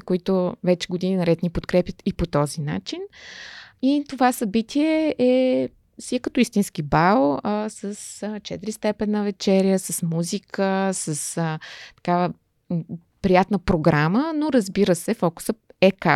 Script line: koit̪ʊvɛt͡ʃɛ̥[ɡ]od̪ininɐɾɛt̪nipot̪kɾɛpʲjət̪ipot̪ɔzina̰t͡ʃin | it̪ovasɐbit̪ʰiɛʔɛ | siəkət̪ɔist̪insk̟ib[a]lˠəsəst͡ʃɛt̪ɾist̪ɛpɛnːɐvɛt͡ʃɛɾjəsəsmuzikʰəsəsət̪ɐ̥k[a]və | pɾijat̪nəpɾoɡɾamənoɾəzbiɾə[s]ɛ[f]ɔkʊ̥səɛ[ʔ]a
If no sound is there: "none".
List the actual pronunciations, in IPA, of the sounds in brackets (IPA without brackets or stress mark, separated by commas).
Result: ɡ, a, a, s, f, k